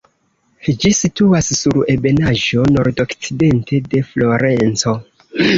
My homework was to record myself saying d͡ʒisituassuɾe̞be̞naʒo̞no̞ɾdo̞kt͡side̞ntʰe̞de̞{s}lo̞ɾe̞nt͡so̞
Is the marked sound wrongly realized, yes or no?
yes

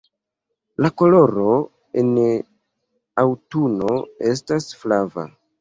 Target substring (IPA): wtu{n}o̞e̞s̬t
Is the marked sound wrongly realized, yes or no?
no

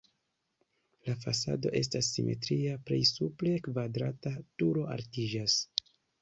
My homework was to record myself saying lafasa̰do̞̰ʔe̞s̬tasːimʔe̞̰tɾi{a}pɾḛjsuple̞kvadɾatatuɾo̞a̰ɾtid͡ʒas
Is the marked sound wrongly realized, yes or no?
no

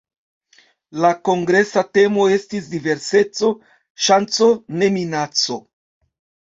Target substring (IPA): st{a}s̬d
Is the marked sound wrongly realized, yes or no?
yes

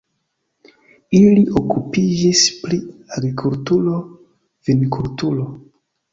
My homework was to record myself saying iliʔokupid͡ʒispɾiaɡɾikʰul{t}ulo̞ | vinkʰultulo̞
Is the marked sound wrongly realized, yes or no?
no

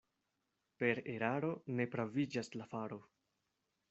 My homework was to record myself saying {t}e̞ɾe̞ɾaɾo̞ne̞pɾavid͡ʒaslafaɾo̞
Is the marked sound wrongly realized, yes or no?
yes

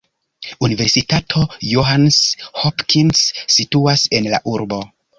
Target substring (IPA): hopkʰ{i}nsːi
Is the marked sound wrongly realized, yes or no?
no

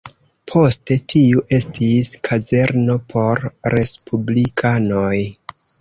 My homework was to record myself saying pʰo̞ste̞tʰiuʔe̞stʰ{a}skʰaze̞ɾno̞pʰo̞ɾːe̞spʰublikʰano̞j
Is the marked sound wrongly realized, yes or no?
yes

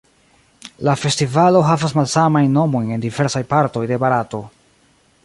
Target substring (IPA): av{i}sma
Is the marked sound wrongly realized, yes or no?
yes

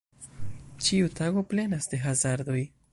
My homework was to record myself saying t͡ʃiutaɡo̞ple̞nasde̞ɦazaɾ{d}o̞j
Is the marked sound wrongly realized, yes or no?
no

